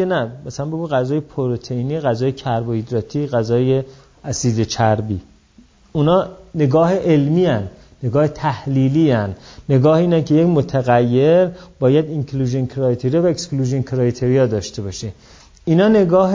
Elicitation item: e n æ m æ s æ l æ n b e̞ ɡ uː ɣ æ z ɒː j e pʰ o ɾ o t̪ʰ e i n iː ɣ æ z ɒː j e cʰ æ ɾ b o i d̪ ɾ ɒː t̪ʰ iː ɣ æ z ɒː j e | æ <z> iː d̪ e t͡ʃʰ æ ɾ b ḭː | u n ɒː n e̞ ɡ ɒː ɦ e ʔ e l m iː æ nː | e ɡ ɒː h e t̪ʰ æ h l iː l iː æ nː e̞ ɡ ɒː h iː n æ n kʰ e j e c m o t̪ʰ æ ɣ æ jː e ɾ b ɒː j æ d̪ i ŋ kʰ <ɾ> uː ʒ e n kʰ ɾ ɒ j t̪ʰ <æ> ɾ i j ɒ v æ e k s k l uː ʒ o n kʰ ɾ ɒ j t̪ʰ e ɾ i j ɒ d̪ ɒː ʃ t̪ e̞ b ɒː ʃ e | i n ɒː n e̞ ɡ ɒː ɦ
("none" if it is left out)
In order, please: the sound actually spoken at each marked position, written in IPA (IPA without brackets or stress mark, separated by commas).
s, l, e